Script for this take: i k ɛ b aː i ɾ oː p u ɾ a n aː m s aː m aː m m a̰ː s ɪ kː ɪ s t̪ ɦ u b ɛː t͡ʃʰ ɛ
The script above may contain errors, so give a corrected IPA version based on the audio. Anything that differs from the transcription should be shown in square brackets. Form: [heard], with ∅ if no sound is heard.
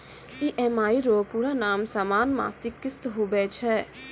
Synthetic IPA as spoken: i [ʔ] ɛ [m] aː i ɾ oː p u ɾ a n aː m s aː m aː [n] m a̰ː s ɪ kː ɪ s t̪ ɦ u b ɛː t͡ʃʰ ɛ